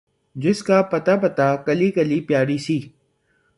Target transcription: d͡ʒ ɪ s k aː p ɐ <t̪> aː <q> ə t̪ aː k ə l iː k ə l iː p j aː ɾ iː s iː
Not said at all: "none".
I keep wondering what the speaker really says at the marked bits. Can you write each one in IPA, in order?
t̪, p

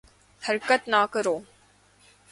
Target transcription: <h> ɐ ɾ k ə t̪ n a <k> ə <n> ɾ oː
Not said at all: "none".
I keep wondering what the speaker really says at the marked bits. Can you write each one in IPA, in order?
h, k, none

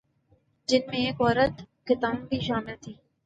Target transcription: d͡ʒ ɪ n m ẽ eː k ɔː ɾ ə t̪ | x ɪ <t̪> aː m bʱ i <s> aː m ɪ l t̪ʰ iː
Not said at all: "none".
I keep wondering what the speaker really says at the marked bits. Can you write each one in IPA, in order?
t̪, ʃ

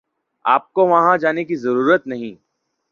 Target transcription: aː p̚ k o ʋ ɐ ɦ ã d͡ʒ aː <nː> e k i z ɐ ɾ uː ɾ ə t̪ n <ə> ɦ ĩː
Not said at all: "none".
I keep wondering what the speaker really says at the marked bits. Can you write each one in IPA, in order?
n, ɐ

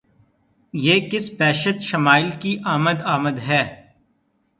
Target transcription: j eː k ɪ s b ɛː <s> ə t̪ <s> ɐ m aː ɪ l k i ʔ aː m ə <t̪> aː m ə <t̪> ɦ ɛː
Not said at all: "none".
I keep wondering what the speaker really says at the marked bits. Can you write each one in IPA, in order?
ʃ, ʃ, d̪, d̪

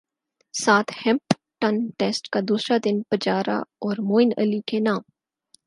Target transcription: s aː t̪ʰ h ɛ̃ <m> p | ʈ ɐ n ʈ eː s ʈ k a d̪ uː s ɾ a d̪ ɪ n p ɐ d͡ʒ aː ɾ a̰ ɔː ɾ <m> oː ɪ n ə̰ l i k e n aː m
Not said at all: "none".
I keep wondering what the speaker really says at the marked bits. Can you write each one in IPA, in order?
m, m

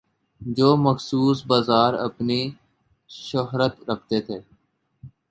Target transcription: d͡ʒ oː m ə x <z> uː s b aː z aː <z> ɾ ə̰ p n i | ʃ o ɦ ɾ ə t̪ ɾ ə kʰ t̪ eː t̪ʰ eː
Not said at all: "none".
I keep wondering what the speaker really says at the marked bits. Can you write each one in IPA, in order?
s, none

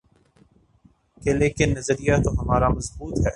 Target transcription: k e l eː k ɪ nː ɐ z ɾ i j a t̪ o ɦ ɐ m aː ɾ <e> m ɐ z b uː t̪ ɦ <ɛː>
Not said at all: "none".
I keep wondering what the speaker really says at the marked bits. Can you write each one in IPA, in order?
a, ɛː

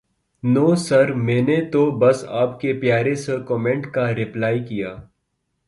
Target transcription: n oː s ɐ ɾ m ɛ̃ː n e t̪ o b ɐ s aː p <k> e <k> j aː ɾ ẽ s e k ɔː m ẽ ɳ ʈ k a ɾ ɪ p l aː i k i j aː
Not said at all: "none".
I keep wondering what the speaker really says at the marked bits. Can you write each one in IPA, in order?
k, p

